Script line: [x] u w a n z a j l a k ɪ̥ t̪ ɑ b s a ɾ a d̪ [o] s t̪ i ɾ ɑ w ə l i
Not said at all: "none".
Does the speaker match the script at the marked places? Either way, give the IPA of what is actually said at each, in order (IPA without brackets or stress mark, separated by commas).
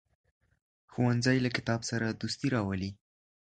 x, u